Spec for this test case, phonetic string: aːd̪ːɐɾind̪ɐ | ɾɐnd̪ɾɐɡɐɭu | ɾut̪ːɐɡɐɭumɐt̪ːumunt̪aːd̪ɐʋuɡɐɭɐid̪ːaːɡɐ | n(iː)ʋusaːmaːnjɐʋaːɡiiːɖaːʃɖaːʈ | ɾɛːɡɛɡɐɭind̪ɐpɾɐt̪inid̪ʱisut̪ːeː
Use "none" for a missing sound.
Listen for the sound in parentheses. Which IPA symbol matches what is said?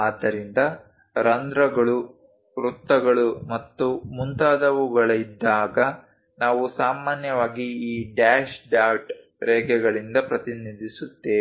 aː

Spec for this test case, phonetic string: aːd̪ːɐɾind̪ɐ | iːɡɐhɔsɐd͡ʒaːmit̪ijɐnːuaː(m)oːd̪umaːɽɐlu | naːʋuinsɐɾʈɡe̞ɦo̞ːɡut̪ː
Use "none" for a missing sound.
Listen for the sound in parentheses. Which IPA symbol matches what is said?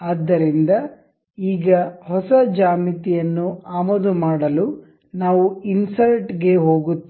m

